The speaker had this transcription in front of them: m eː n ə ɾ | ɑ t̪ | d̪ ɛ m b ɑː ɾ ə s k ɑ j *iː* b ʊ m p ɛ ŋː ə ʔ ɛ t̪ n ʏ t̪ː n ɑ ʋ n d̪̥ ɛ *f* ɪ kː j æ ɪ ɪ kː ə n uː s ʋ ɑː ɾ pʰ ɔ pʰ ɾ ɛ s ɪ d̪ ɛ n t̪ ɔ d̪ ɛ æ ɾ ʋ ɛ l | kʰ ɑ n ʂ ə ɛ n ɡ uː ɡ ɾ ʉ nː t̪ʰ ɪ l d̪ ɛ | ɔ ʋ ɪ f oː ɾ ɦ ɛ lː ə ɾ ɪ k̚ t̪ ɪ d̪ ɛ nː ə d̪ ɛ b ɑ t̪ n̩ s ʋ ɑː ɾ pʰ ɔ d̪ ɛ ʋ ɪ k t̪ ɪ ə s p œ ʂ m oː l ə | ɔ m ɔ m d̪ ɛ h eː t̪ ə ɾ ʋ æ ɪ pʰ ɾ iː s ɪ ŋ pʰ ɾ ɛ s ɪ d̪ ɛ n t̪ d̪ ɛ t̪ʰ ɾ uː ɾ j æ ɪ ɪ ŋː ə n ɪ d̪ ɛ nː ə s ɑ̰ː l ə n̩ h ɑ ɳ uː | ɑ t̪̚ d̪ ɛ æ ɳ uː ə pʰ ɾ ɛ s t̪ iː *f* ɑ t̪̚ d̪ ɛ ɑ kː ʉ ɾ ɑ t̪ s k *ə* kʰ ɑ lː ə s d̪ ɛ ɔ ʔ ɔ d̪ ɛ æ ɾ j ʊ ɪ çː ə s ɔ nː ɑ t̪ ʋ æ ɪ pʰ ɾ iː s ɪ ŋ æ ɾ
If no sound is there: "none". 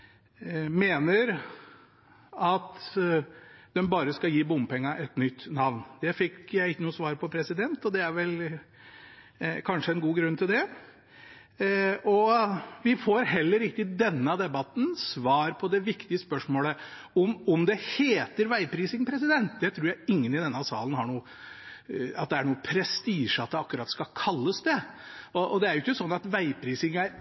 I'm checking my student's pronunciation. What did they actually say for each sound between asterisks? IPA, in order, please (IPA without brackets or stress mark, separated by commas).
iː, f, ʂ, ɑ